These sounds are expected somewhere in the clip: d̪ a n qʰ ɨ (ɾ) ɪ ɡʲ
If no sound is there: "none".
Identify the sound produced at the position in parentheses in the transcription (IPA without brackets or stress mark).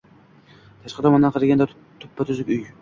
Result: ɾ